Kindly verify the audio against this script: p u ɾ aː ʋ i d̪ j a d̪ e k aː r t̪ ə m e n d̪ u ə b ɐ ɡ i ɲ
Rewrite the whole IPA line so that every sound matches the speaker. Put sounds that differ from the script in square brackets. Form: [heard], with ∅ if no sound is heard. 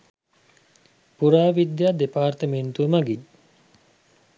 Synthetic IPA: p u ɾ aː ʋ i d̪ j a d̪ e [p] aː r t̪ ə m e n [t̪] u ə [m] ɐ ɡ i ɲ